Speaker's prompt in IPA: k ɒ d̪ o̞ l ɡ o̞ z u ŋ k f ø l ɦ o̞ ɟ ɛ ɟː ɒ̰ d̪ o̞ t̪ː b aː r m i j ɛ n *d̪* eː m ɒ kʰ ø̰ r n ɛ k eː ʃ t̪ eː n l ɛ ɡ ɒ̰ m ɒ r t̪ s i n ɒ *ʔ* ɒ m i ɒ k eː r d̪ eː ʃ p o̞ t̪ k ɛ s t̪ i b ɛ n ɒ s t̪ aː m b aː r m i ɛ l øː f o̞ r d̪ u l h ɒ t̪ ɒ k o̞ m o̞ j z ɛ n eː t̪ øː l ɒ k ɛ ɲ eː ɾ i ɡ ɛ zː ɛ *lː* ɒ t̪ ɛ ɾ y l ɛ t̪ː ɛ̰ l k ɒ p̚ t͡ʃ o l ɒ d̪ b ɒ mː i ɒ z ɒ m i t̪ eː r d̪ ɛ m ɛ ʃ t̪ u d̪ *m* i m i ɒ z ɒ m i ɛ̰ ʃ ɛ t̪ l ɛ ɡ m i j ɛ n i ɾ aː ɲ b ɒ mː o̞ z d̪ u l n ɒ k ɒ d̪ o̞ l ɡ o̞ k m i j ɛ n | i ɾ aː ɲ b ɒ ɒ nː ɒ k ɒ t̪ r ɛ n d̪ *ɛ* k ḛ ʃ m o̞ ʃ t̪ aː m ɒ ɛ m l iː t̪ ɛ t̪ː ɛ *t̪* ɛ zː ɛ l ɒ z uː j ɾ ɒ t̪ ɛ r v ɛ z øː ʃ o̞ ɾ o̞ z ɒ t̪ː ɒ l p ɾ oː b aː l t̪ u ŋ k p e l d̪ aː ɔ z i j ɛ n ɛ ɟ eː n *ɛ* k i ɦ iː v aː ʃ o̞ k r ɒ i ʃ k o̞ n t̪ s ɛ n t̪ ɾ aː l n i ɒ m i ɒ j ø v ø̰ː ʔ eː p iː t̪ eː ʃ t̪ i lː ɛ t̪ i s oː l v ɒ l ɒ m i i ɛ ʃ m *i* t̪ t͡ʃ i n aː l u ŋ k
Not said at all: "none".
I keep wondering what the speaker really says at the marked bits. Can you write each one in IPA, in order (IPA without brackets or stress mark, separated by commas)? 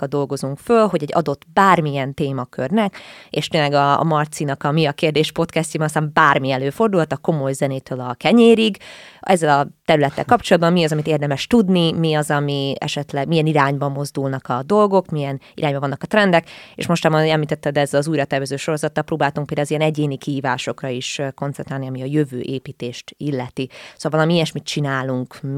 t̪, k, l, n, ɛ, d̪, i, i